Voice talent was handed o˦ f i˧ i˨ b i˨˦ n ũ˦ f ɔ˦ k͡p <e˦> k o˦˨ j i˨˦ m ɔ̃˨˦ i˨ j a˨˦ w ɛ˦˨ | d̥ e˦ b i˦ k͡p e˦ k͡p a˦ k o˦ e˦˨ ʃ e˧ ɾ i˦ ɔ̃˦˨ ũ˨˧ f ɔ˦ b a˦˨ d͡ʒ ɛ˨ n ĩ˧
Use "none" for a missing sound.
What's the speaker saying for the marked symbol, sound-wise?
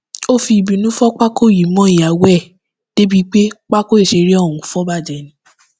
a˦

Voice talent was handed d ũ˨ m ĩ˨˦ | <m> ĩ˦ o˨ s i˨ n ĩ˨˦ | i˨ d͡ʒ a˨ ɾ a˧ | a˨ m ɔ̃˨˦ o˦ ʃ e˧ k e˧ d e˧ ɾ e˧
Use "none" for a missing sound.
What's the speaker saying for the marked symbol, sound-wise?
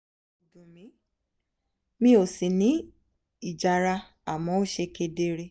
m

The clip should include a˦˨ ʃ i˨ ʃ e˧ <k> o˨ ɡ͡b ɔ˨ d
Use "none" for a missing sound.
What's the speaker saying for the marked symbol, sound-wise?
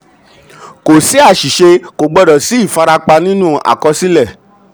k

